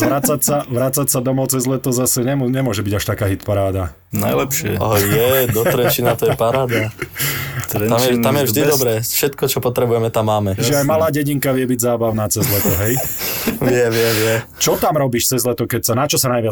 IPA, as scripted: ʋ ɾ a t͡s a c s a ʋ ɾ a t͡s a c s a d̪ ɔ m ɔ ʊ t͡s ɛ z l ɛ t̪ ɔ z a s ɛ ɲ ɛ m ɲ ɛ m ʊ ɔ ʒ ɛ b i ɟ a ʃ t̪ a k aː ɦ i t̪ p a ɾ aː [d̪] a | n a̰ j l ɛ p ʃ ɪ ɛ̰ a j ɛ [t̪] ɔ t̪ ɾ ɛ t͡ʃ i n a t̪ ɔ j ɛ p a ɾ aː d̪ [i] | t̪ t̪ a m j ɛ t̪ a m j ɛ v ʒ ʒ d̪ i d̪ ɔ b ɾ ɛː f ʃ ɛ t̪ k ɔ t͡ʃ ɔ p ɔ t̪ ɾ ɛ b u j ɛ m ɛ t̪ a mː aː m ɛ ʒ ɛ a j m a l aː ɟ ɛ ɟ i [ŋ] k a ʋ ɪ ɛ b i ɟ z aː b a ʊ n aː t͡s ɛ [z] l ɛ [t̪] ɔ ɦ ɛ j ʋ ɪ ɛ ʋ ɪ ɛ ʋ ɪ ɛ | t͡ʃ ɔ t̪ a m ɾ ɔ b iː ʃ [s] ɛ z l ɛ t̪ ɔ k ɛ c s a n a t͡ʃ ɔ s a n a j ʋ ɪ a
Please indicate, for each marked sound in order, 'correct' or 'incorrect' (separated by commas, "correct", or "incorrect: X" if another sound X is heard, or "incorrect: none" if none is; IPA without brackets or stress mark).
correct, incorrect: d̪, incorrect: a, correct, correct, correct, incorrect: t͡s